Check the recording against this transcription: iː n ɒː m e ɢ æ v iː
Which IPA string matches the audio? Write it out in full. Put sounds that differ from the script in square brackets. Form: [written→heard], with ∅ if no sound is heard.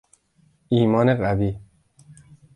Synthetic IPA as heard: iː [n→m] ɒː [m→n] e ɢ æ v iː